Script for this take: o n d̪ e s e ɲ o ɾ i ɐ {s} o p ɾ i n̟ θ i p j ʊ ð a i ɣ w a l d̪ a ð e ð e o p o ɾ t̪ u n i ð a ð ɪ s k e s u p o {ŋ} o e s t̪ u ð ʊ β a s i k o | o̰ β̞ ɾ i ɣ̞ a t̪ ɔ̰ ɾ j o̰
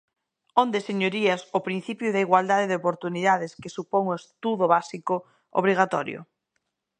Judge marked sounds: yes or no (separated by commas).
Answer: yes, yes